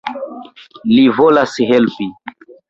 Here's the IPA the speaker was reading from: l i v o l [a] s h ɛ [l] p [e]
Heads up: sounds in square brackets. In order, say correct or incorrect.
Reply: correct, correct, incorrect

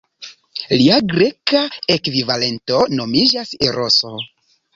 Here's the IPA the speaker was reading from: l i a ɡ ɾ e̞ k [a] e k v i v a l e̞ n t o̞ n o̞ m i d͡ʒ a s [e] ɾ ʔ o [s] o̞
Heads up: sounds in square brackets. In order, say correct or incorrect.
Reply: correct, correct, correct

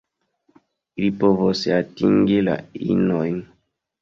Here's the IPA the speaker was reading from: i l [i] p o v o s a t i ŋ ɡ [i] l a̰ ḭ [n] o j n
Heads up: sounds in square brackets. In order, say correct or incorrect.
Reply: correct, correct, correct

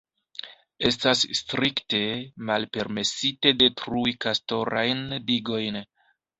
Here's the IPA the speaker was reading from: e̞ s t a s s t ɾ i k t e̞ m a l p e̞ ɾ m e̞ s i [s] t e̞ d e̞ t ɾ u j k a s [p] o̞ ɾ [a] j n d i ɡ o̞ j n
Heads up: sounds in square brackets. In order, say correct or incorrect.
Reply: incorrect, incorrect, correct

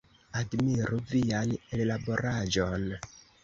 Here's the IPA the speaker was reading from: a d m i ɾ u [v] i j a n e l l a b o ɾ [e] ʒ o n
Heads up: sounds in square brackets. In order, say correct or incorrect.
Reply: correct, incorrect

